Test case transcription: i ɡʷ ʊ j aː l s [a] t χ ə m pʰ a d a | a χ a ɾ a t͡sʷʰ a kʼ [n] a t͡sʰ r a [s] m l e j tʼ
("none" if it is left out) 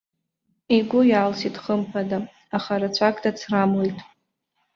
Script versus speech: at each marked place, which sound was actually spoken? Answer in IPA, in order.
i, d, none

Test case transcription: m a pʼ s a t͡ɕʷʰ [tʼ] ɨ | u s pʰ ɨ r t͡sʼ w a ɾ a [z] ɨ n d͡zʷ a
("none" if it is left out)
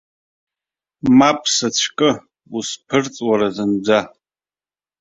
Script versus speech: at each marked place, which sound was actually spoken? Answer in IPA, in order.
kʼ, z

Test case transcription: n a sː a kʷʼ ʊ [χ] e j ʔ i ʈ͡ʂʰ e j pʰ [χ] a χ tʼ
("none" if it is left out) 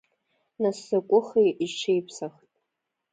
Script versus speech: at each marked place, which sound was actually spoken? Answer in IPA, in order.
χ, s

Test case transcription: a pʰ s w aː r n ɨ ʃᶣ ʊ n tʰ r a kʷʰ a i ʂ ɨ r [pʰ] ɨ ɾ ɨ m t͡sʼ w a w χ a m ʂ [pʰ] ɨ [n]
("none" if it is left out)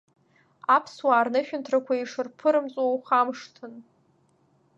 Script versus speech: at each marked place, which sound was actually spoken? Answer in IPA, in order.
pʰ, tʰ, n

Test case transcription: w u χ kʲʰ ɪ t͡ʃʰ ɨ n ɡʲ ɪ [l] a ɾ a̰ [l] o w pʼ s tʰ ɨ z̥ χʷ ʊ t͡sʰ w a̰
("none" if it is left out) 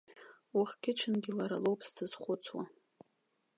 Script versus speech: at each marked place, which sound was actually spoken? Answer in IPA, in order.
l, l

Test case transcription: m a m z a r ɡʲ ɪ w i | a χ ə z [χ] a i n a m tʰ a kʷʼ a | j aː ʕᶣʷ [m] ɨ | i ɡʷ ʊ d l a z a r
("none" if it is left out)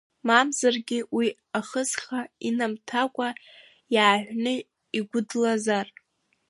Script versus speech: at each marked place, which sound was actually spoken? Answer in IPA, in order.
χ, n

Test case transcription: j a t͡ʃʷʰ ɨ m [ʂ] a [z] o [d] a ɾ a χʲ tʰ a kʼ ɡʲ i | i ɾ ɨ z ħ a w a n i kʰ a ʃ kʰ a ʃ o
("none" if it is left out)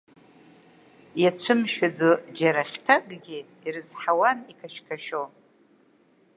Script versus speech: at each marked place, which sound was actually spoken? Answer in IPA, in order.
ʃ, d͡z, d͡ʒ

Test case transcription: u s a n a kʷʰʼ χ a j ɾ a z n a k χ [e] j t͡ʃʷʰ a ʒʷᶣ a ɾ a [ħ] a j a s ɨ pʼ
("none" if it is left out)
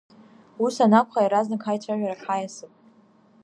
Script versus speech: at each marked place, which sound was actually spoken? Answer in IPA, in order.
a, ħ

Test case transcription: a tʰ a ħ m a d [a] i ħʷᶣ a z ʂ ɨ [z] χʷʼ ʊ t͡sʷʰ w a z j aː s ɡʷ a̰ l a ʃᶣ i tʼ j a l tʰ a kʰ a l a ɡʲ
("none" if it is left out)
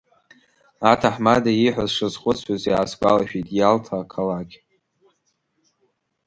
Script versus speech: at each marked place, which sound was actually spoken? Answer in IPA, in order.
a, z

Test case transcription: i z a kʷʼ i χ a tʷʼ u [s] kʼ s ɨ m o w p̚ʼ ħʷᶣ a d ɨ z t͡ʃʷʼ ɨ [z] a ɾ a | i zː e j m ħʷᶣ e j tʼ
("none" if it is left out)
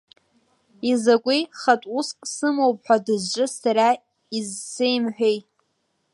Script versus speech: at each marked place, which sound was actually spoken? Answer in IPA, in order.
s, s

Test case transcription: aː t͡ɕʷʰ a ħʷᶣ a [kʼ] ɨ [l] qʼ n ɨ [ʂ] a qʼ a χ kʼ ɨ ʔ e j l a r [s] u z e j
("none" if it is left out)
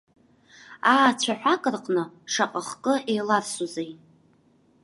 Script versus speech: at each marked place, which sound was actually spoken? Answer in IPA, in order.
kʼ, r, ʂ, s

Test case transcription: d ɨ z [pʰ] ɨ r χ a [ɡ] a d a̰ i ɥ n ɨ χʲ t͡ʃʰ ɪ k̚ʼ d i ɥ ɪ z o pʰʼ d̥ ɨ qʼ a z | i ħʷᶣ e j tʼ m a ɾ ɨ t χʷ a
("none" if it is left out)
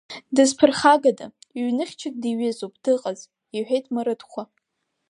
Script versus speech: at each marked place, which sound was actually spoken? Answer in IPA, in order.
pʰ, ɡ

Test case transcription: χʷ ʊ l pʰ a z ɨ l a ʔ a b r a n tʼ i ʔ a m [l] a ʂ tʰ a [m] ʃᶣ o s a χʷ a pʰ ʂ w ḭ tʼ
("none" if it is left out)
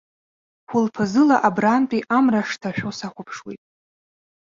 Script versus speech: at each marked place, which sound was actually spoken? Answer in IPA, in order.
r, none

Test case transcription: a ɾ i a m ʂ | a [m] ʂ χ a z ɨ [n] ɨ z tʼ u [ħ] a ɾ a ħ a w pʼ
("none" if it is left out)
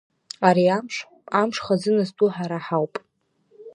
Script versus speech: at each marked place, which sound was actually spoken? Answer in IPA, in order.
m, n, ħ

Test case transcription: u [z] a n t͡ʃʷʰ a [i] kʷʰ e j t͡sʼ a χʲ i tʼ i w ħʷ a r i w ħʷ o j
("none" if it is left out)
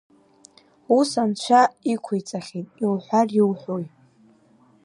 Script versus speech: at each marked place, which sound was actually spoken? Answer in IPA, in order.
s, i

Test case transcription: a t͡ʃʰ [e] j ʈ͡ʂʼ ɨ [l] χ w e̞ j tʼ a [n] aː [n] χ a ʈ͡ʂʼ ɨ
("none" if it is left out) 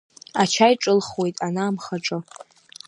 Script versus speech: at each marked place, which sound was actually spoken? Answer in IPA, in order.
a, l, n, m

